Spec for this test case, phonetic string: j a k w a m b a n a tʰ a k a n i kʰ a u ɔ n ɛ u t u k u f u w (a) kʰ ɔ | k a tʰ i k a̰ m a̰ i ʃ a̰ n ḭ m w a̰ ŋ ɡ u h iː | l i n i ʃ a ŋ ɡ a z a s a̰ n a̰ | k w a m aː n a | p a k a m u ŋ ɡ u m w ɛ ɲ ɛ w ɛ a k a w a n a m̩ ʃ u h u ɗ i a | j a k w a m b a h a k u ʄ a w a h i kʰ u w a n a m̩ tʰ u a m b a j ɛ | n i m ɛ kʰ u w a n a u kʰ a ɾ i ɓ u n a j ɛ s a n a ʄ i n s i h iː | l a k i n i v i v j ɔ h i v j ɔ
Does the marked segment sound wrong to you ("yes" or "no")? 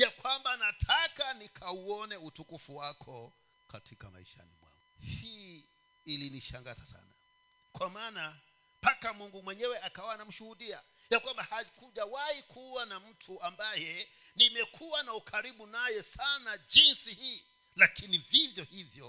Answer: no